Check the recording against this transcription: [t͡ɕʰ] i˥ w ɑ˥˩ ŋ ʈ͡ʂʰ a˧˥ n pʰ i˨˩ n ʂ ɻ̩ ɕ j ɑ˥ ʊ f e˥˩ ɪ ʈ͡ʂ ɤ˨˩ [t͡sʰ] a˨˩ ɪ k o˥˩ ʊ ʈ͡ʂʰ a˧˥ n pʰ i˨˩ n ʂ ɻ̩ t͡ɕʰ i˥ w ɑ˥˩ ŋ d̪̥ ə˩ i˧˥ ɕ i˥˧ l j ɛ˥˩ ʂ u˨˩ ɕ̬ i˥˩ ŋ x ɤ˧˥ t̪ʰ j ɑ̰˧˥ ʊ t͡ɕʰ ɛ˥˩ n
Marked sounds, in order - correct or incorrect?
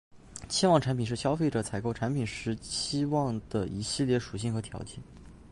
correct, correct

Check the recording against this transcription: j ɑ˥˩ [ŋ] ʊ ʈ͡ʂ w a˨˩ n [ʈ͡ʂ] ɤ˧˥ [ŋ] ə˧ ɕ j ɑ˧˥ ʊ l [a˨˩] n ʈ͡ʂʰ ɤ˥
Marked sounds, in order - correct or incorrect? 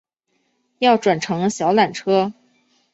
incorrect, incorrect, correct, correct

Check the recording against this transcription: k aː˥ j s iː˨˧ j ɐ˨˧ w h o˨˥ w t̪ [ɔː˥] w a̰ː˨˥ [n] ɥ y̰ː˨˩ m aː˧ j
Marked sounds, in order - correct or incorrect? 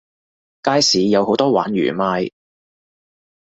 correct, correct

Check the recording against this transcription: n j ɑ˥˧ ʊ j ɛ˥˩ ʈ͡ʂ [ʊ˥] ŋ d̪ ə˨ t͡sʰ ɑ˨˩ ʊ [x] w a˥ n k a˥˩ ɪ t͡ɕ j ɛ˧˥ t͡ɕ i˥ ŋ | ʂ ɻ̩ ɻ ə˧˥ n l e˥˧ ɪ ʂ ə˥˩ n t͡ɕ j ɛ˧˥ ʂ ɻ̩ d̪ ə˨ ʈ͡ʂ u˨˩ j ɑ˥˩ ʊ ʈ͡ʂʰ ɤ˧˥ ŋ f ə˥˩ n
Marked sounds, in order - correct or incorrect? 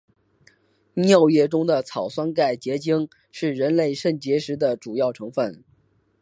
correct, incorrect

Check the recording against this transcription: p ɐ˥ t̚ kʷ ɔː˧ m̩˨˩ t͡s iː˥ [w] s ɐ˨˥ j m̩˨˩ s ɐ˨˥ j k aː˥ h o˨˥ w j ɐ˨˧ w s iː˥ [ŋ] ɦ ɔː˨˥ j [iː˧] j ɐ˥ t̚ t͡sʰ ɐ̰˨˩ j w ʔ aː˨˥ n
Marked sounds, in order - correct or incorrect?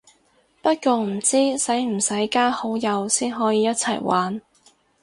incorrect, incorrect, correct

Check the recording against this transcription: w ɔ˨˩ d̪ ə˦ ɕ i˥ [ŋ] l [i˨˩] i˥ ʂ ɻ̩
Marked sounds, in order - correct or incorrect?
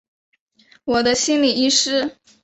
incorrect, correct

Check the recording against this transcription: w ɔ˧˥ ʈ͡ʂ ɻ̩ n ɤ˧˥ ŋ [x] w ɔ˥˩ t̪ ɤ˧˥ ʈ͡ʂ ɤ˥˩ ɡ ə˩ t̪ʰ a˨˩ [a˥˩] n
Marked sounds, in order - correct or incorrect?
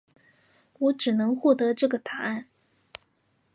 correct, correct

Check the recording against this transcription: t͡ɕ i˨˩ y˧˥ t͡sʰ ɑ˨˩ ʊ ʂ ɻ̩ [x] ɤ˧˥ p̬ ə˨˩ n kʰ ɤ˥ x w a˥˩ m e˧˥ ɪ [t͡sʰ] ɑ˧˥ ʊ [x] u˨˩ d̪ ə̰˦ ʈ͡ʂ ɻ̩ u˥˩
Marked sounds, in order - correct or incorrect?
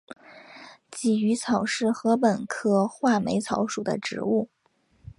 correct, correct, incorrect

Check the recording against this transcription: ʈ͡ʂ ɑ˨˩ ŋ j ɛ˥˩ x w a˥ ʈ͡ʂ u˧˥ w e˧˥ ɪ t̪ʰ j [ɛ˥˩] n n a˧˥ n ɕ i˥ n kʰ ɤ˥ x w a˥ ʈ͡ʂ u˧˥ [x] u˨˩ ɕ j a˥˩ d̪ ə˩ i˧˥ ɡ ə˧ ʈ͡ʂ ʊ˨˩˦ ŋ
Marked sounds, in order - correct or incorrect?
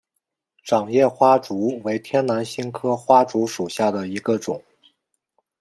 incorrect, incorrect

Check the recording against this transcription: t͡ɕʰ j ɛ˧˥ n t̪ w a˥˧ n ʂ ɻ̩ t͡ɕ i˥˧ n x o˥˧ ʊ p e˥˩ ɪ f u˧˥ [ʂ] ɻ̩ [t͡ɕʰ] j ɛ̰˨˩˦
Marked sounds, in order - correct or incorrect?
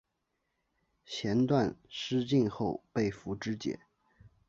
incorrect, incorrect

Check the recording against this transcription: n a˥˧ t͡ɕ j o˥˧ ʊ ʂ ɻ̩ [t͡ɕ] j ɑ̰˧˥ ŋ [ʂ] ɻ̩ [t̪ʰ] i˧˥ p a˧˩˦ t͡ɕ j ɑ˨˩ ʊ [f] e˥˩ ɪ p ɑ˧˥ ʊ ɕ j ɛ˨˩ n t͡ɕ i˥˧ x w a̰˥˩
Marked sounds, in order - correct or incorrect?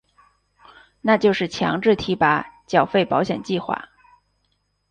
incorrect, incorrect, correct, correct

